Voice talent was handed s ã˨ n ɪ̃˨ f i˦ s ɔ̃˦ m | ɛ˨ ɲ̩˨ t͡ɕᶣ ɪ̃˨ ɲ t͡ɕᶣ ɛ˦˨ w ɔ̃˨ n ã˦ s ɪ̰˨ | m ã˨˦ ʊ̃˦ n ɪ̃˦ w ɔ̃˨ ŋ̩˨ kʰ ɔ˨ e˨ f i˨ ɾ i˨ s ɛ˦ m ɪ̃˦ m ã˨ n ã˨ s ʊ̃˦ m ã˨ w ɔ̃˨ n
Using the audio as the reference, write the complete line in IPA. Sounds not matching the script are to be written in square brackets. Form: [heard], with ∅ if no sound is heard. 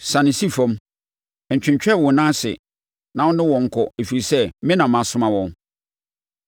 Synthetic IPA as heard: s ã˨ n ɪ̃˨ [s] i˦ [f] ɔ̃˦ m | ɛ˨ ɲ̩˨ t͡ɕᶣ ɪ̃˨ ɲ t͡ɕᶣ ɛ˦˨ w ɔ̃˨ n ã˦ s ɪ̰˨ | [n] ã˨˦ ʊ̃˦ n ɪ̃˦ w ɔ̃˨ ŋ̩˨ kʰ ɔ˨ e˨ f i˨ ɾ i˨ s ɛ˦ m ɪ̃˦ [n] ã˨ [m] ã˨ s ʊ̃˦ m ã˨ w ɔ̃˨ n

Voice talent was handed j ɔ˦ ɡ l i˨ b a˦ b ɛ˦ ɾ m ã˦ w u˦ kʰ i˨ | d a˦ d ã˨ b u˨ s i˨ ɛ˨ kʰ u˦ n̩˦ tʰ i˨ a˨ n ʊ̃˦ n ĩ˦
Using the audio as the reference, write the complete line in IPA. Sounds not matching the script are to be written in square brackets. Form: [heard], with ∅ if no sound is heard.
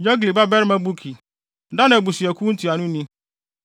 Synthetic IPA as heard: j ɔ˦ ɡ l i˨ b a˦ b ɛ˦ ɾ m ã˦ [b] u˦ kʰ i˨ | d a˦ [n] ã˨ b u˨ s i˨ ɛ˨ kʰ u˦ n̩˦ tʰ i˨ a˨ n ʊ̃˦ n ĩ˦

